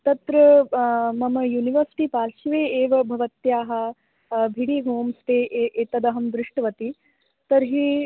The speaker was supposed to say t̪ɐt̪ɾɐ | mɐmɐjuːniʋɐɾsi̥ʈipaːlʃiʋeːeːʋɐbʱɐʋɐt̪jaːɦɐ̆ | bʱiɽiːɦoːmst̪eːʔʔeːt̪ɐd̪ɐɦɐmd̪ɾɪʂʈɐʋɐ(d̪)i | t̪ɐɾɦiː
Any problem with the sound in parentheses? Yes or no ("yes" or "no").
yes